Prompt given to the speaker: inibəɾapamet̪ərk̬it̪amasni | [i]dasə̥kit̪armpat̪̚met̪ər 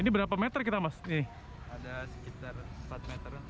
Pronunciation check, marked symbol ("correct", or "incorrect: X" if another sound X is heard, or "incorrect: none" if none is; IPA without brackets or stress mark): incorrect: a